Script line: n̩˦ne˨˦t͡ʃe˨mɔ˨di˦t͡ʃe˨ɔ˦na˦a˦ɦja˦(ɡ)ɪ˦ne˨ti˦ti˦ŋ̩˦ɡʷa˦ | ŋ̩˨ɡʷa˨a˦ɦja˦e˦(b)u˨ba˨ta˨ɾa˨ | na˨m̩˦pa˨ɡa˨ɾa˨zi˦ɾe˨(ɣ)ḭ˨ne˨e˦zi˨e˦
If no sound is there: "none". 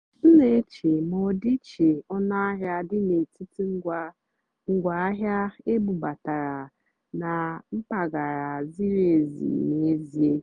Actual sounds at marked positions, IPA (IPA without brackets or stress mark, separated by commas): d, b, z